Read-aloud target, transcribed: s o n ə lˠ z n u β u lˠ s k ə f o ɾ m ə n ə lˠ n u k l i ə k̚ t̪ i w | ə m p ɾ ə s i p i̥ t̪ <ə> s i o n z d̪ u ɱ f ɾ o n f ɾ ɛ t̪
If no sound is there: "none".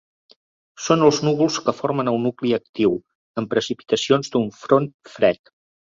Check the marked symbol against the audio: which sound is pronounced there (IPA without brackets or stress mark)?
ə